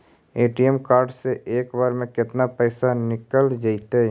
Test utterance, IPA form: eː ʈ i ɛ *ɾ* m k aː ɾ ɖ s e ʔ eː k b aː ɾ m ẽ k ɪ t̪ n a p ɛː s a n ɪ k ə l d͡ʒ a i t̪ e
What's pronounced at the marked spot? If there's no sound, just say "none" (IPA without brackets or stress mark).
none